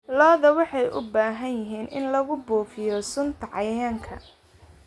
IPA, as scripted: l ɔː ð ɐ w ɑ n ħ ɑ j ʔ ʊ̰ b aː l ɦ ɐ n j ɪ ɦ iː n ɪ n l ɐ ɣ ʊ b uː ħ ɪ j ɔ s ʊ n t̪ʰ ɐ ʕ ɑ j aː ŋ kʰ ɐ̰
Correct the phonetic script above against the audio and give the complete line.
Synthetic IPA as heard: l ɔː ð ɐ w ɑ ħ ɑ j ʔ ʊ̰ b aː ɦ ɐ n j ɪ ɦ iː n ɪ n l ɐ ɣ ʊ b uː f ɪ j ɔ s ʊ n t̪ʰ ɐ ʕ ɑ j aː ŋ kʰ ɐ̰